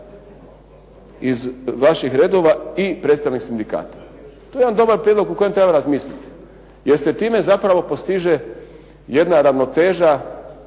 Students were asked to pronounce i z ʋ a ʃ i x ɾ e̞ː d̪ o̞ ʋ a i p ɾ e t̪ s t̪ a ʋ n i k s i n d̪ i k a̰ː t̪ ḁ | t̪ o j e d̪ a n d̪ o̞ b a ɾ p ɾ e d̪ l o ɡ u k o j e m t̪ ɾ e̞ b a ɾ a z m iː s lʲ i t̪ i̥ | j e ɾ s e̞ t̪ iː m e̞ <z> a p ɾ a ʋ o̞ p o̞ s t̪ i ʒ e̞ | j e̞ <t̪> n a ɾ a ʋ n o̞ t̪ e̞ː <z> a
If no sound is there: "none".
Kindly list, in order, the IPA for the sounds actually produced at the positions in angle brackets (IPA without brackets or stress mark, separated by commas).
z, d̪, ʒ